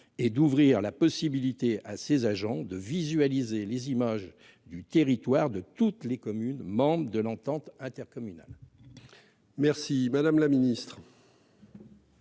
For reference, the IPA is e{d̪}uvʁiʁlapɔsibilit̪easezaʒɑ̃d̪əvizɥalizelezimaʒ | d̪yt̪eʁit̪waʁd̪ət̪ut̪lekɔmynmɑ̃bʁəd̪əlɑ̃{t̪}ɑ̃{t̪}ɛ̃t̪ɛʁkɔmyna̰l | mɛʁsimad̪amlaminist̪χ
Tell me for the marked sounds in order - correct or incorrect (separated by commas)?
correct, correct, correct